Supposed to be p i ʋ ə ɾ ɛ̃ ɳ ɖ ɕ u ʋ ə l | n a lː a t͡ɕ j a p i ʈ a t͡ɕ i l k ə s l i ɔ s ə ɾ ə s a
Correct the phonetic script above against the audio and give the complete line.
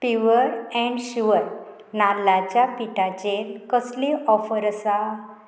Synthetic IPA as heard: p i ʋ ə ɾ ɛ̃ ɳ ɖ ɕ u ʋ ə ɾ | n a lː a t͡ɕ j a p i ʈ a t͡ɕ e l k ə s l i ɔ f ə ɾ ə s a

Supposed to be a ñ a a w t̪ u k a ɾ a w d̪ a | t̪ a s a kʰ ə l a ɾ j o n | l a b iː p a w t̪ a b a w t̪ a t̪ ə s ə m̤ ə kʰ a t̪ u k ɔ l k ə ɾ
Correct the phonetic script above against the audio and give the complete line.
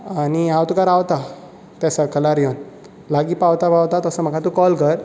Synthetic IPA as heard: a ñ i a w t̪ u k a ɾ a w t̪ a | t̪ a s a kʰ ə l a ɾ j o n | l a ɡ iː p a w t̪ a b a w t̪ a t̪ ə s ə m̤ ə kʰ a t̪ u k ɔ l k ə ɾ

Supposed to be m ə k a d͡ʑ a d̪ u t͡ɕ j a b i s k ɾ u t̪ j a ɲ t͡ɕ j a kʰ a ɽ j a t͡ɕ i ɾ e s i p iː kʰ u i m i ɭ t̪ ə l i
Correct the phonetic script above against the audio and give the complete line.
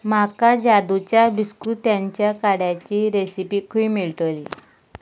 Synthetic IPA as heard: m a k a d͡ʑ a d̪ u t͡ɕ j a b i s k ɾ u t̪ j a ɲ t͡ɕ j a k a ɽ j a t͡ɕ i ɾ e s i p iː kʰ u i m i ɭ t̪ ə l i

